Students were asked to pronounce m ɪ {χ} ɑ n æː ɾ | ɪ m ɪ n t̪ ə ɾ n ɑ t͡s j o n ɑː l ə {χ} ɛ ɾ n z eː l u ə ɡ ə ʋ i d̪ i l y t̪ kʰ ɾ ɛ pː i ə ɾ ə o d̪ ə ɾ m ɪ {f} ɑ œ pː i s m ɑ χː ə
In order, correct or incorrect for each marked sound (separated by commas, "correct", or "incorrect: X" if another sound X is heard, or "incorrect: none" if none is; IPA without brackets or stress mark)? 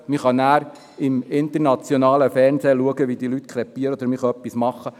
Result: correct, incorrect: f, incorrect: χ